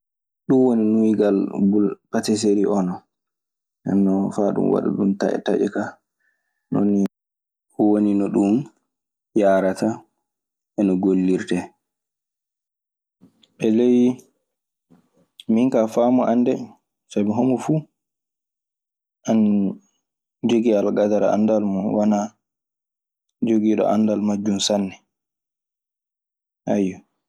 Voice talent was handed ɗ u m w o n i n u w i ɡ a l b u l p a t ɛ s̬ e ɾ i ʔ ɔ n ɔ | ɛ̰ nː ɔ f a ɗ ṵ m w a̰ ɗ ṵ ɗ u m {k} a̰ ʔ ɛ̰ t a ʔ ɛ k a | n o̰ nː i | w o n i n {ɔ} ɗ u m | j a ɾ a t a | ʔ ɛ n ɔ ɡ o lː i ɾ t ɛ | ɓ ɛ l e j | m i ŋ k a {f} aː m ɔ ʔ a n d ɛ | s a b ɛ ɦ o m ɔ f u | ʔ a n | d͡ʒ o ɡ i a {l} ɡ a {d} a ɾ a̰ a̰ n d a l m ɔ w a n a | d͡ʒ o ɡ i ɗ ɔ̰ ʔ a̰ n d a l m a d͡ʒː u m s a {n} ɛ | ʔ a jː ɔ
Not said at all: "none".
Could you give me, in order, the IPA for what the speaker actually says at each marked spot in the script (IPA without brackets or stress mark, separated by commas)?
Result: t, ɔ, f, l, d, nː